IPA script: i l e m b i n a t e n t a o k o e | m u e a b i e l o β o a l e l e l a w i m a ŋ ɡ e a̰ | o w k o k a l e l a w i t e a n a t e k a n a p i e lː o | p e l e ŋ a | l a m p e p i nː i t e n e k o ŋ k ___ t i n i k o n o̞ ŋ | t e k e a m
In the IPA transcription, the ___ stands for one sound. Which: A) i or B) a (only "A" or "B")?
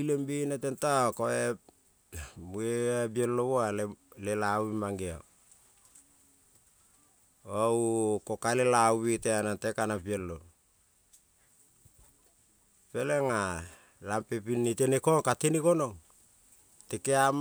B